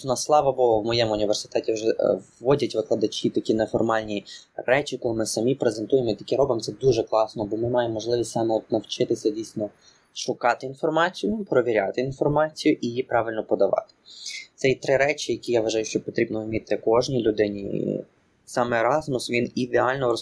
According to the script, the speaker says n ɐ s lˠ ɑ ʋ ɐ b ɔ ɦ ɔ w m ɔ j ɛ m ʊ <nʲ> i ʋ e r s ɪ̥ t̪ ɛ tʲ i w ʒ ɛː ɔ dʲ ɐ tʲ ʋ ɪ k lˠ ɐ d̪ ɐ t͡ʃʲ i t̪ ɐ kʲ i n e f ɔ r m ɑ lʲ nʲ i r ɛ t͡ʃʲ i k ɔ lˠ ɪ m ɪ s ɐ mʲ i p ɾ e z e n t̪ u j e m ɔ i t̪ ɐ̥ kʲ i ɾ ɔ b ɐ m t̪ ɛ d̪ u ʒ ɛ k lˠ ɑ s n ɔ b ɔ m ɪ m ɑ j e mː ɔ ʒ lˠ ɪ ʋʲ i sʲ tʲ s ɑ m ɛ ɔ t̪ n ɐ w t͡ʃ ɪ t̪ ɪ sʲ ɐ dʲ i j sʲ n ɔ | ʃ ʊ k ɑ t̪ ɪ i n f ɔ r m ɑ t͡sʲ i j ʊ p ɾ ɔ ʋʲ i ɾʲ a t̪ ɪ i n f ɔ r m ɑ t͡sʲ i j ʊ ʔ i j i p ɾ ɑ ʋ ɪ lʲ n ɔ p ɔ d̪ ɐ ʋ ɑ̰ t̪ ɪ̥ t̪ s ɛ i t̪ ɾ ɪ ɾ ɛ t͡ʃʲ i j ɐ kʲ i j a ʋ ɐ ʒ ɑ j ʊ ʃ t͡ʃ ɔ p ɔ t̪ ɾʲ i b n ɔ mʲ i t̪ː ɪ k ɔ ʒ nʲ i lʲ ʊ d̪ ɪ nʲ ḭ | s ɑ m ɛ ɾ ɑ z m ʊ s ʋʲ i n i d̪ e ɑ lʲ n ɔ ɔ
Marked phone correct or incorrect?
correct